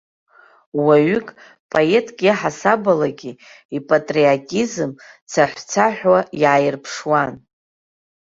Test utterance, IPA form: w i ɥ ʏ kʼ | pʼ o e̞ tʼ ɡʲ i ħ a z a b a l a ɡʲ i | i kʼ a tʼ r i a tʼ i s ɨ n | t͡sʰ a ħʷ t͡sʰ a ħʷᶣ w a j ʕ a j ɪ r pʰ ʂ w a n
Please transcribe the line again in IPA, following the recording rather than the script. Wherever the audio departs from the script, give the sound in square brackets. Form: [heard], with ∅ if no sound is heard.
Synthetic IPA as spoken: w [a] ɥ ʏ kʼ | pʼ o e̞ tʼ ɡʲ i ħ a [s] a b a l a ɡʲ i | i [pʼ] a tʼ r i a tʼ i [z] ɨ [m] | t͡sʰ a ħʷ t͡sʰ a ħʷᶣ w a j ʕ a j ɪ r pʰ ʂ w a n